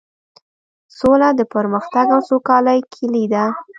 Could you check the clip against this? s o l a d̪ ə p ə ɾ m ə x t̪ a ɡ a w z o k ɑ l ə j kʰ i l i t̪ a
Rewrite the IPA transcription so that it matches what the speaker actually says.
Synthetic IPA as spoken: s o l a d̪ ə p ə ɾ m ə x t̪ a ɡ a w s o k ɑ l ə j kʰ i l i d̪ a